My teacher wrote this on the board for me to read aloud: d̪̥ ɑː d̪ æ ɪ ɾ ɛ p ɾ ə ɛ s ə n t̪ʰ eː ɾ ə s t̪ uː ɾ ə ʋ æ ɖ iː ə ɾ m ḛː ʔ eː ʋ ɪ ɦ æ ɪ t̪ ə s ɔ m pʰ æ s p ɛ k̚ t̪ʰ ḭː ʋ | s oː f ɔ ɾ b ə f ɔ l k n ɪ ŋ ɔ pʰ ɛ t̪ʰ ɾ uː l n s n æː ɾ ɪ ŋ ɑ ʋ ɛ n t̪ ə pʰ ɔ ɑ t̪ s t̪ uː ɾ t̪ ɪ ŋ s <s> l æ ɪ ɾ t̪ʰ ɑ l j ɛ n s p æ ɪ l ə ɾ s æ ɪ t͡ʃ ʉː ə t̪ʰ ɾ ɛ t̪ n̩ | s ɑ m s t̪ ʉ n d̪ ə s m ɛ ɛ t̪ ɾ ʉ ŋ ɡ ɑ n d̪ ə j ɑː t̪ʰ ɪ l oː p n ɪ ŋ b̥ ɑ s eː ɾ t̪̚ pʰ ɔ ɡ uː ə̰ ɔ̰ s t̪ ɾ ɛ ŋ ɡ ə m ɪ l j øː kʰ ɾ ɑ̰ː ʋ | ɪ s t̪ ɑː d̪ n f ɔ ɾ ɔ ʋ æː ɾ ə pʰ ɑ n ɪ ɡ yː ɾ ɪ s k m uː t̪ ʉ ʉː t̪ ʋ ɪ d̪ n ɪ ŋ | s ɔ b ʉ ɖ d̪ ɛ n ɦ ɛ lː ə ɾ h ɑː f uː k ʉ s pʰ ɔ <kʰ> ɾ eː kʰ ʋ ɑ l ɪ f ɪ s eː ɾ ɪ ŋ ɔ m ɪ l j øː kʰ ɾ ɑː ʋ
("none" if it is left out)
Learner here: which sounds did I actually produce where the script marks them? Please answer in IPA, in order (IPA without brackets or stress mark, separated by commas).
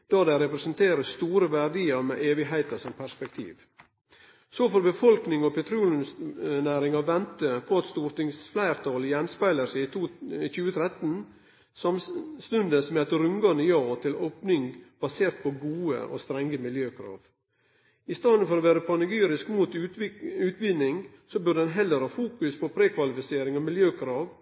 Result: f, pʰ